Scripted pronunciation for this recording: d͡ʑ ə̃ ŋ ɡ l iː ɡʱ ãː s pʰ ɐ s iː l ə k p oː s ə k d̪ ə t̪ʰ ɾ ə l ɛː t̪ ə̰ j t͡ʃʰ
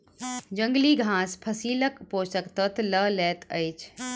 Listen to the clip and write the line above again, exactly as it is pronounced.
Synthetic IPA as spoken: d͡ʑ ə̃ ŋ ɡ l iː ɡʱ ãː s pʰ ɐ s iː l ə k p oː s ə k t̪ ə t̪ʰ l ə l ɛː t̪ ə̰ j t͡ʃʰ